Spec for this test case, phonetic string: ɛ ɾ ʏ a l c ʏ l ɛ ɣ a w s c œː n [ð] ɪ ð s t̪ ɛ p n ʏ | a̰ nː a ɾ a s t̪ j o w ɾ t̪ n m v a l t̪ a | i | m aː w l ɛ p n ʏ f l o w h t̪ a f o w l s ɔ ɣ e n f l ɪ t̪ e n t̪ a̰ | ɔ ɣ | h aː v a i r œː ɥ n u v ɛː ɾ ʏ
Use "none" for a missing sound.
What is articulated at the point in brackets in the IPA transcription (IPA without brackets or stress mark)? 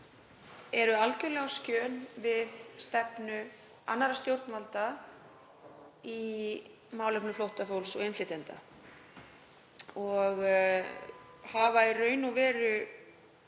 v